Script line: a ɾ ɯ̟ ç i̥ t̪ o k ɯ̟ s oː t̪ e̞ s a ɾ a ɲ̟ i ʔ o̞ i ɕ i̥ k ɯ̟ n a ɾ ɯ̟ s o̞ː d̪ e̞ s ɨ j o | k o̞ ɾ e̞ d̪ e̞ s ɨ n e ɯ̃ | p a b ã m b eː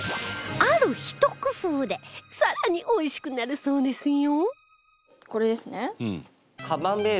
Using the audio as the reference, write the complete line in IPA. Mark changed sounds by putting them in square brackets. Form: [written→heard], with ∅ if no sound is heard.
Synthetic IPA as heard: a ɾ ɯ̟ ç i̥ t̪ o k ɯ̟ s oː [t̪→d̪] e̞ s a ɾ a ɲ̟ i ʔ o̞ i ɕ i̥ k ɯ̟ n a ɾ ɯ̟ s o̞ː d̪ e̞ s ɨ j o | k o̞ ɾ e̞ d̪ e̞ s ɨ n e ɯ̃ | [p→k] a b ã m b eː